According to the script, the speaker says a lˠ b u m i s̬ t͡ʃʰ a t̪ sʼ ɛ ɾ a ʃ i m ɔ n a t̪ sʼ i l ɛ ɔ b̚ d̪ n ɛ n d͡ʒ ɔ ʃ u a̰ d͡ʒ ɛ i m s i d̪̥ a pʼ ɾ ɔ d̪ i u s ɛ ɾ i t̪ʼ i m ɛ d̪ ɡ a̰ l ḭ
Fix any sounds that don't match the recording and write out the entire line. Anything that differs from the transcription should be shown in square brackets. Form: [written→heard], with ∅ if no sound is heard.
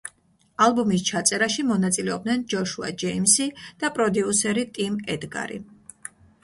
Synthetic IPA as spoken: a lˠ b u m i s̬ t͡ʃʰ a t̪ sʼ ɛ ɾ a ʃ i m ɔ n a t̪ sʼ i l ɛ ɔ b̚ d̪ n ɛ n d͡ʒ ɔ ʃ u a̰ d͡ʒ ɛ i m s i d̪̥ a pʼ ɾ ɔ d̪ i u s ɛ ɾ i t̪ʼ i m ɛ d̪ ɡ a̰ [l→ɾ] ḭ